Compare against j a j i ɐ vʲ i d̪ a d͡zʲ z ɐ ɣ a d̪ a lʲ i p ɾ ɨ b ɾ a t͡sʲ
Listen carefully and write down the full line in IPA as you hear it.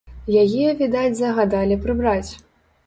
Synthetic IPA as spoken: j a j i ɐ vʲ i d̪ a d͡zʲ z ɐ ɣ a d̪ a lʲ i p ɾ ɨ b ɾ a t͡sʲ